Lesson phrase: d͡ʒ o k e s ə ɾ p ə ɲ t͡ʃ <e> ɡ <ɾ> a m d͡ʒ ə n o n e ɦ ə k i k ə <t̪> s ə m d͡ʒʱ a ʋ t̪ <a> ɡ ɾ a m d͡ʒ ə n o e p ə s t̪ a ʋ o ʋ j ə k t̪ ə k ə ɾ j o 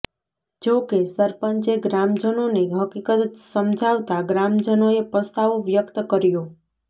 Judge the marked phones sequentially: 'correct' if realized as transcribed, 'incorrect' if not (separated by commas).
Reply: correct, correct, correct, correct